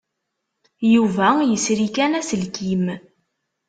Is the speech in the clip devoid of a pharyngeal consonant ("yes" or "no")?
yes